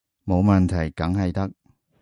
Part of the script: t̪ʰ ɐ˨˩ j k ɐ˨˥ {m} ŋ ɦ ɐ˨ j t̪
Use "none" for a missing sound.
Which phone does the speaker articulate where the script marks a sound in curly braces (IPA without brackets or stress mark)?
none